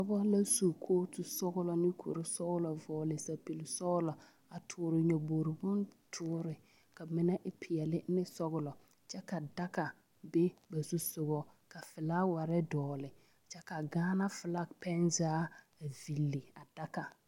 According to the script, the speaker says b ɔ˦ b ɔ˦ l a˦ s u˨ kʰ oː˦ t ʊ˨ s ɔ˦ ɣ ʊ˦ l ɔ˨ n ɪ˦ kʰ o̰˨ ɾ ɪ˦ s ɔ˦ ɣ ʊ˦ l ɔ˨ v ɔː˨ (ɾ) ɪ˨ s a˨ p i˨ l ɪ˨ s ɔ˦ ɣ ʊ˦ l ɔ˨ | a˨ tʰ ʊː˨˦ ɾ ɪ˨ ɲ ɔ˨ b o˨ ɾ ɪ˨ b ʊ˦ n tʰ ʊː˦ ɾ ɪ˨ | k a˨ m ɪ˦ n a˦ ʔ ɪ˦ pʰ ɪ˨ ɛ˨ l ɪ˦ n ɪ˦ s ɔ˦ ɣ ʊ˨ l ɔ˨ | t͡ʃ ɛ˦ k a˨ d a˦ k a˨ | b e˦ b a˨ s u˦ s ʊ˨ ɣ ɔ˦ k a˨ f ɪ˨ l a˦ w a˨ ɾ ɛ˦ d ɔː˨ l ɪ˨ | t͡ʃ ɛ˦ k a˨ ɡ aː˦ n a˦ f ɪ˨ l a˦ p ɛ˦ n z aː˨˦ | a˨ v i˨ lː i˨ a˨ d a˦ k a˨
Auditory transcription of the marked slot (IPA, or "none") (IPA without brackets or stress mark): l